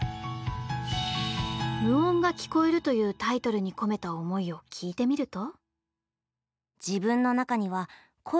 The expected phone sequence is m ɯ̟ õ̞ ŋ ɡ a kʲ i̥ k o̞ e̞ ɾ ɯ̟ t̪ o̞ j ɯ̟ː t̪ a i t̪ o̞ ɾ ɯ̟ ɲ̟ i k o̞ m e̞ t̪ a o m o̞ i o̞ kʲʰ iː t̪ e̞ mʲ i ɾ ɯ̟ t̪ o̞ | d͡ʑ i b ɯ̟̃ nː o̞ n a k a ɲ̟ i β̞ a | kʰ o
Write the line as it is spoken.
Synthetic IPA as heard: m ɯ̟ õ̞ ŋ ɡ a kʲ i̥ k o̞ e̞ ɾ ɯ̟ t̪ o̞ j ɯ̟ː t̪ a i t̪ o̞ ɾ ɯ̟ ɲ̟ i k o̞ m e̞ t̪ a o m o̞ i o̞ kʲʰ iː t̪ e̞ mʲ i ɾ ɯ̟ t̪ o̞ | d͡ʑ i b ɯ̟̃ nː o̞ n a k a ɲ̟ i β̞ a | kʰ o